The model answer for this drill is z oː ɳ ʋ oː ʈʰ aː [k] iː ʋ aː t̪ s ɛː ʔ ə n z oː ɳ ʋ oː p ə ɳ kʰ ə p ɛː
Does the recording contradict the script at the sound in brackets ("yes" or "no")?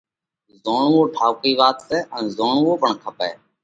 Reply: no